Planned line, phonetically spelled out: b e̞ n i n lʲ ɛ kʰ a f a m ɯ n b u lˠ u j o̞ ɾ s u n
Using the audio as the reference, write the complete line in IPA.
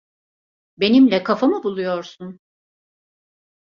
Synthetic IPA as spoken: b e̞ n i m lʲ ɛ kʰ a f a m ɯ b u lˠ u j o̞ ɾ s u n